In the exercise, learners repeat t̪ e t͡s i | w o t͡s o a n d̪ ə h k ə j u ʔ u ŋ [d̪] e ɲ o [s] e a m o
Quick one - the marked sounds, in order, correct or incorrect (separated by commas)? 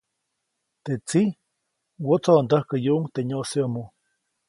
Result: incorrect, correct